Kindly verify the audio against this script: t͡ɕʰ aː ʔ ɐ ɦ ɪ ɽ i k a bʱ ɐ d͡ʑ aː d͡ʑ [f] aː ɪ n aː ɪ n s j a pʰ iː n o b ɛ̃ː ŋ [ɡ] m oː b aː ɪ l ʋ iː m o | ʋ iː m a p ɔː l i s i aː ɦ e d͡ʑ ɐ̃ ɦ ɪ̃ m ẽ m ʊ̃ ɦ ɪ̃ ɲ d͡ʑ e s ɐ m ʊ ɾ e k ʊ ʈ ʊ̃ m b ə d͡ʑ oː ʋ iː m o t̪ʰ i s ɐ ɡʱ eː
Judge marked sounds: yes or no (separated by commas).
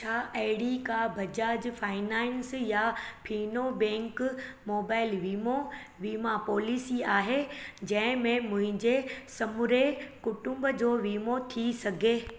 yes, no